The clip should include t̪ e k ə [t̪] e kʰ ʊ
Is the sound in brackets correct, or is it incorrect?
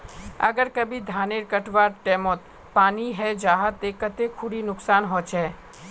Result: correct